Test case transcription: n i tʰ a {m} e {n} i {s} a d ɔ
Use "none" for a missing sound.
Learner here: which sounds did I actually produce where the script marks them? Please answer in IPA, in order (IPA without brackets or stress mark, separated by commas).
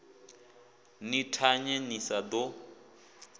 ɲ, n, s